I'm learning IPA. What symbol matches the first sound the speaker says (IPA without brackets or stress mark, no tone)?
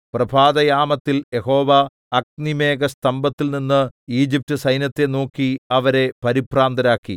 p